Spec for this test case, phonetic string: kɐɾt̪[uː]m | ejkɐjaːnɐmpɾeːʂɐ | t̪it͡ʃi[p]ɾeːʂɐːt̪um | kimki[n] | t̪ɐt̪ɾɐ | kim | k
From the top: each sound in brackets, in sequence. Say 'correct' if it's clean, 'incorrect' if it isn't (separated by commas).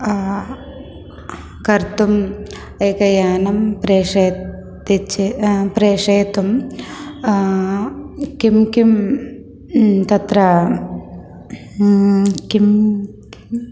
incorrect, correct, incorrect